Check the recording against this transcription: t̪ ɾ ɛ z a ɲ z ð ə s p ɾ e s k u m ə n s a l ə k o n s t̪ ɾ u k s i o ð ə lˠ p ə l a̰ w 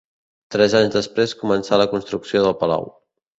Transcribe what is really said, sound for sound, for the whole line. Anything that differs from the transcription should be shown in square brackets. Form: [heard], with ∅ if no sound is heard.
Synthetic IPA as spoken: t̪ ɾ ɛ z a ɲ z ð ə s p ɾ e s k u m ə n s a l ə k [u] n s t̪ ɾ u k s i o ð ə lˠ p ə l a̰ w